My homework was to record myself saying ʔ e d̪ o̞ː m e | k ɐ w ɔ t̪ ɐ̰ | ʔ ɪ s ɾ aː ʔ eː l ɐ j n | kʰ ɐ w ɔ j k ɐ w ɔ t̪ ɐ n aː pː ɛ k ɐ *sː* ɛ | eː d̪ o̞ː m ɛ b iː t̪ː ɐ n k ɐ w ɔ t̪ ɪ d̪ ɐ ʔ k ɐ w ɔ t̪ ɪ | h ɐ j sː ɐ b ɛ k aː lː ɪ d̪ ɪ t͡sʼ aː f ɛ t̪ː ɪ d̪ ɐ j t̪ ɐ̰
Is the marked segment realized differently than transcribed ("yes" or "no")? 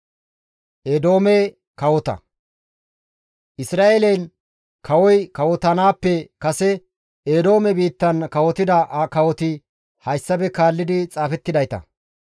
yes